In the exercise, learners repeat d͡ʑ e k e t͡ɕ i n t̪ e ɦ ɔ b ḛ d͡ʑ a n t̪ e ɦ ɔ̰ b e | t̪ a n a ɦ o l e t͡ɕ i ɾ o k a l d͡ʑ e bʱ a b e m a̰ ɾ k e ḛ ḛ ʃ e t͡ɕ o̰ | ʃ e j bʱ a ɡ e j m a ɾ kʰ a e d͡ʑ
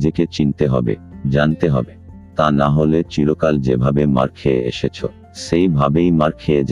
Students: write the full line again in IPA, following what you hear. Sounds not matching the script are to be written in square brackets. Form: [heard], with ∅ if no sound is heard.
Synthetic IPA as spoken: d͡ʑ e k e t͡ɕ i n t̪ e ɦ ɔ b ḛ d͡ʑ a n t̪ e ɦ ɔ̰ b e | t̪ a n a ɦ o l e t͡ɕ i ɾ o k a l d͡ʑ e bʱ a b e m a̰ ɾ [kʰ] e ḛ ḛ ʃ e [t͡ɕʰ] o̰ | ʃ e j bʱ a [b] e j m a ɾ kʰ [e] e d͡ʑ